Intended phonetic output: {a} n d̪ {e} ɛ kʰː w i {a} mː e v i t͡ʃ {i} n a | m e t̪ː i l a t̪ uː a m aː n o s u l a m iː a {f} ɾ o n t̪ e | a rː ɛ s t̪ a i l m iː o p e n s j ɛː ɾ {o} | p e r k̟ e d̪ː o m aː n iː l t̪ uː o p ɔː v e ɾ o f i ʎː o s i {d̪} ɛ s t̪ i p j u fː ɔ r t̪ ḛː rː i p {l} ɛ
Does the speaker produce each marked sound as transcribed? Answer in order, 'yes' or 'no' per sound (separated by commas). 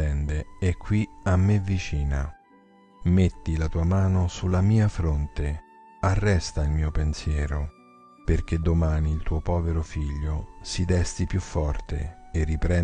no, yes, yes, no, yes, yes, yes, no